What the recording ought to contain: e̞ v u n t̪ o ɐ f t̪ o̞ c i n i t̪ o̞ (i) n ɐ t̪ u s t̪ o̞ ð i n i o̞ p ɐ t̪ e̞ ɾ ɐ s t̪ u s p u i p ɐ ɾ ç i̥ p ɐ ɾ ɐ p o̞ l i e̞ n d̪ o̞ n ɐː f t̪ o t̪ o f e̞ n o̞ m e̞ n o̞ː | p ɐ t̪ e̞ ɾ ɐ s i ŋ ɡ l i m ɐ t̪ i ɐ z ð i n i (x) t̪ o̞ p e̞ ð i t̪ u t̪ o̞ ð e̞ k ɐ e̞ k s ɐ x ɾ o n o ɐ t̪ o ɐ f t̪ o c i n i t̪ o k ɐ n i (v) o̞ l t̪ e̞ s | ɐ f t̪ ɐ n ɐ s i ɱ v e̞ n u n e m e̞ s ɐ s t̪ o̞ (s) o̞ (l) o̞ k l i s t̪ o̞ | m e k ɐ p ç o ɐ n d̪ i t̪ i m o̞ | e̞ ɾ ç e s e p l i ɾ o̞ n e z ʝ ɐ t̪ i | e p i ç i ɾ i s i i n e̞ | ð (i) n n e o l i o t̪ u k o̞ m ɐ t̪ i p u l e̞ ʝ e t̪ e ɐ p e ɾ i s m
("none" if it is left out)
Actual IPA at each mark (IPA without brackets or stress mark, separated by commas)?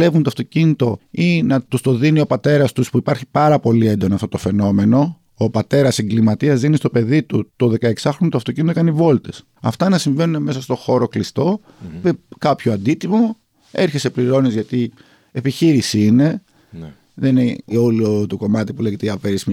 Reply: i, s, v, x, ɾ, e